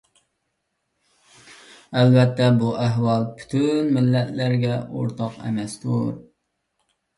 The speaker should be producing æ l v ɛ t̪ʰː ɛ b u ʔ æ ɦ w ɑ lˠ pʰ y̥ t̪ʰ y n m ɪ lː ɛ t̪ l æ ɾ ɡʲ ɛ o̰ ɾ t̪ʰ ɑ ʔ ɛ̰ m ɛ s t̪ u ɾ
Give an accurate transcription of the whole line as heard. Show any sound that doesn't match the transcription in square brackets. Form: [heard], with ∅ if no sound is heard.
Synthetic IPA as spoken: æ l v ɛ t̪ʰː ɛ b u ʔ æ ɦ w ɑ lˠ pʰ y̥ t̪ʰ y n m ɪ lː ɛ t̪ l æ ɾ ɡʲ ɛ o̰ ɾ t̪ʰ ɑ [q] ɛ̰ m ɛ s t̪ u ɾ

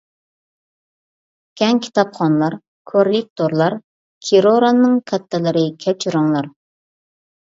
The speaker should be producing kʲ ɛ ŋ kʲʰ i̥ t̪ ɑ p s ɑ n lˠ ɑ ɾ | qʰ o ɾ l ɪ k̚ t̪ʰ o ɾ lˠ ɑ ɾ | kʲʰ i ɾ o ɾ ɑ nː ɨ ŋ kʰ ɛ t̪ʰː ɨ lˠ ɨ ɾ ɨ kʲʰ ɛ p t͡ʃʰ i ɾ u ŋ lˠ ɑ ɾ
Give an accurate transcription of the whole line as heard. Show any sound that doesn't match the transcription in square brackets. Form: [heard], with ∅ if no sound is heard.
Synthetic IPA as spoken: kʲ ɛ ŋ kʲʰ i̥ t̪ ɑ p [χ] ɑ n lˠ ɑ ɾ | [kʰ] o ɾ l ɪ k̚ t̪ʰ o ɾ lˠ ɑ ɾ | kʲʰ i ɾ o ɾ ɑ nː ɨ ŋ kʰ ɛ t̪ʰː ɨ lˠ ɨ ɾ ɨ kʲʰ ɛ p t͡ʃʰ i ɾ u ŋ lˠ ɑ ɾ

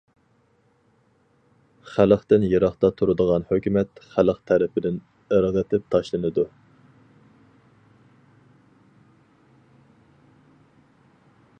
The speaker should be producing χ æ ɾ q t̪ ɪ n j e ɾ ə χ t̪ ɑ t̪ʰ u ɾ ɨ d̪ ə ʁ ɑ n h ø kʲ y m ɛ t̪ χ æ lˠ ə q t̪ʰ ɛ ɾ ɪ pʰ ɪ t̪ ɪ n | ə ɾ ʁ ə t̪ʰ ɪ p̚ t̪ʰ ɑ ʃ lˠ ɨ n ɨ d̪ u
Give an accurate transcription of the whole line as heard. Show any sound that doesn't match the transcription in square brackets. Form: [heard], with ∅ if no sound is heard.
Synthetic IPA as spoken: χ æ [l] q t̪ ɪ n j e ɾ [ɑ] χ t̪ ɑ t̪ʰ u ɾ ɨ d̪ ə ʁ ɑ n h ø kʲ y m ɛ t̪ χ æ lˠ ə q t̪ʰ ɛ ɾ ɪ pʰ ɪ [d̪] ɪ n | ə ɾ ʁ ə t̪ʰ ɪ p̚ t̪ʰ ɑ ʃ lˠ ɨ n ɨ d̪ u

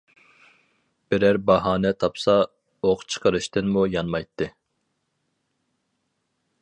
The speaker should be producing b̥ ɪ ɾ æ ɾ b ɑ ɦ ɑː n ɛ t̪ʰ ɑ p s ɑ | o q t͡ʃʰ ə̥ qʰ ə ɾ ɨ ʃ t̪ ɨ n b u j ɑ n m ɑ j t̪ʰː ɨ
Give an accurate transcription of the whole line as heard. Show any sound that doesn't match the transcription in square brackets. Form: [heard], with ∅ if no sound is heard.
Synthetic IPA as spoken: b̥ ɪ ɾ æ ɾ b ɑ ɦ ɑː n ɛ t̪ʰ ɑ p s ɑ | o q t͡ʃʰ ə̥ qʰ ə ɾ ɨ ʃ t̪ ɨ n [m] u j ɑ n m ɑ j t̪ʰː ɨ

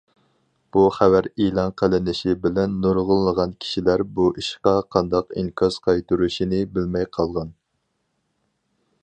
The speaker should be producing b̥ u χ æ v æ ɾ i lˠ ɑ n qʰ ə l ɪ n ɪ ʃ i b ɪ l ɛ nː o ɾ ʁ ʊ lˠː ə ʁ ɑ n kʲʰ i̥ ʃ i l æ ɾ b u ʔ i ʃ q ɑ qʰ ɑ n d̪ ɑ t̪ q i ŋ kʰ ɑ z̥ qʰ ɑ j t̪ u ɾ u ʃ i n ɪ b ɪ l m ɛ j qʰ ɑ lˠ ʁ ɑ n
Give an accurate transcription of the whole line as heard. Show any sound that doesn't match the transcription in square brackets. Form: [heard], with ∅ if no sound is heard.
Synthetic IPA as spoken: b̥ u χ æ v æ ɾ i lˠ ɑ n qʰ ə l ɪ n ɪ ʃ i b ɪ l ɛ nː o ɾ ʁ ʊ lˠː ə ʁ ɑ n kʲʰ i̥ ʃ i l æ ɾ b u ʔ i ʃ q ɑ qʰ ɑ n d̪ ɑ [∅] q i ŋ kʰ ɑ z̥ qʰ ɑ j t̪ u ɾ u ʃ i n ɪ b ɪ l m ɛ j qʰ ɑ lˠ ʁ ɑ n

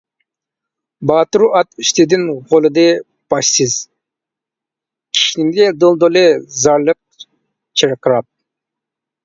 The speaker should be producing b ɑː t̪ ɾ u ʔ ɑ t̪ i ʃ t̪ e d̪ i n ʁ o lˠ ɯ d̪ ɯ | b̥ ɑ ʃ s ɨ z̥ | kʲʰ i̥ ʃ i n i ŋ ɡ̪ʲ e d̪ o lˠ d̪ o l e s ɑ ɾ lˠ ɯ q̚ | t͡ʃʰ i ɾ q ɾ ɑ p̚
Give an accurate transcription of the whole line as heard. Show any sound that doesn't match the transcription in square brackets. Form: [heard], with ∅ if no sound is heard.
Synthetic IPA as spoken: b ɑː t̪ ɾ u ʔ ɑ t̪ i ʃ t̪ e d̪ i n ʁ o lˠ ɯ d̪ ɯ | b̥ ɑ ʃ s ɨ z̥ | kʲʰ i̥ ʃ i n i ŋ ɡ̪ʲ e d̪ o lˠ d̪ o l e [z] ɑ ɾ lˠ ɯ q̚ | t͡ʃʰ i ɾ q ɾ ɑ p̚

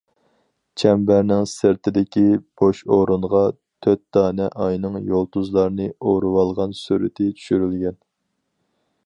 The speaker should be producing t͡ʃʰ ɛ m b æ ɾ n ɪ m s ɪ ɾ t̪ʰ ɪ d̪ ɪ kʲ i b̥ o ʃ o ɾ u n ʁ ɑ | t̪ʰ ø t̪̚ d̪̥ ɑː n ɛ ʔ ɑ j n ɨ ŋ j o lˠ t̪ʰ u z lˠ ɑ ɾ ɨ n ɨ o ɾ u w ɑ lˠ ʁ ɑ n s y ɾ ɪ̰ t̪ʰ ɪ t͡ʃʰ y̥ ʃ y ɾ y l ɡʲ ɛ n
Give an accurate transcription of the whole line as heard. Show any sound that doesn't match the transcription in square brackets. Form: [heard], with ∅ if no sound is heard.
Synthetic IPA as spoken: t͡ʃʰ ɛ m b æ ɾ n ɪ [ŋ] s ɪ ɾ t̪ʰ ɪ d̪ ɪ kʲ i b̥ o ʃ o ɾ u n ʁ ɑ | t̪ʰ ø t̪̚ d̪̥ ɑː n ɛ ʔ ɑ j n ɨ ŋ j o lˠ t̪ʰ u z lˠ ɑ ɾ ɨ n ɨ o ɾ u w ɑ lˠ ʁ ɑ n s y ɾ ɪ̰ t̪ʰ ɪ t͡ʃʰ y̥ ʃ y ɾ y l ɡʲ ɛ n

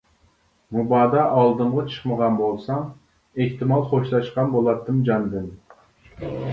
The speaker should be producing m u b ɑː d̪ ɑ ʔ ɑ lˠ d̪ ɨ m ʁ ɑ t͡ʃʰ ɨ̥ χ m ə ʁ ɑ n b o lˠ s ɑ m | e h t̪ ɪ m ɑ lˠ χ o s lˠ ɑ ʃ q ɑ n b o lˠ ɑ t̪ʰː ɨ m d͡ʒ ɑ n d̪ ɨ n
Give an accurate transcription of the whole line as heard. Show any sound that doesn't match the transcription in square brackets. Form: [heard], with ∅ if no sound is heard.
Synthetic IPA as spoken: m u b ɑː d̪ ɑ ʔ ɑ lˠ d̪ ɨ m ʁ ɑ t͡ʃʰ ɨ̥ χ m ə ʁ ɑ n b o lˠ s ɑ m | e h t̪ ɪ m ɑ lˠ χ o [ʃ] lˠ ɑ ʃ q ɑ n b o lˠ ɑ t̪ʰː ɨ m d͡ʒ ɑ n d̪ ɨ n

